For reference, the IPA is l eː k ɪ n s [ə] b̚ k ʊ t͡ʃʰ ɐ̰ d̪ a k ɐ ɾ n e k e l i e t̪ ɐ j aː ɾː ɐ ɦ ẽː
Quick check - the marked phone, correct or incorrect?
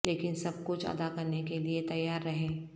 incorrect